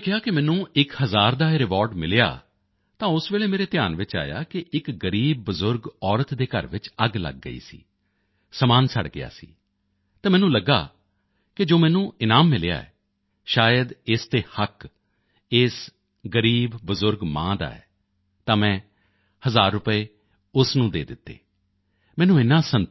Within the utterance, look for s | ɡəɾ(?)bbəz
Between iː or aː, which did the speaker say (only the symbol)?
iː